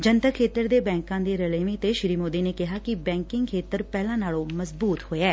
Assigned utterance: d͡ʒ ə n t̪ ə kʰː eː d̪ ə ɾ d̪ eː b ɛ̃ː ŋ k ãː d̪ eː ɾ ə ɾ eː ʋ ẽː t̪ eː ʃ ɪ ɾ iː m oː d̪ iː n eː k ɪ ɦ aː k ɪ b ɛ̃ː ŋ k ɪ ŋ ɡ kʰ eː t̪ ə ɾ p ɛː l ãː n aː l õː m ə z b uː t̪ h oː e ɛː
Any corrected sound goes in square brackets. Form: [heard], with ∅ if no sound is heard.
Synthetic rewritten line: d͡ʒ ə n t̪ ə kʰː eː [t̪] ə ɾ d̪ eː b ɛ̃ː ŋ k ãː d̪ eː ɾ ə [l] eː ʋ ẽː t̪ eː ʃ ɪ ɾ iː m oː d̪ iː n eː k ɪ ɦ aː k ɪ b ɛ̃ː ŋ k ɪ ŋ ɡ kʰ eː t̪ ə ɾ p ɛː l ãː n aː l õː m ə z b uː t̪ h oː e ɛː